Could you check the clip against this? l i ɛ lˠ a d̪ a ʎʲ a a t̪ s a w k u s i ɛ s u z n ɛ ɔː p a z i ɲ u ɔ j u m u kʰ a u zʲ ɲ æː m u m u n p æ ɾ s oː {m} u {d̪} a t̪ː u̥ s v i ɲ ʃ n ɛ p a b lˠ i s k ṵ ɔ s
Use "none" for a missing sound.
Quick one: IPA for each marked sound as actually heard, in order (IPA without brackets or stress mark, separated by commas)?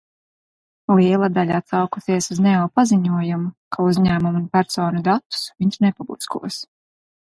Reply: n, d̪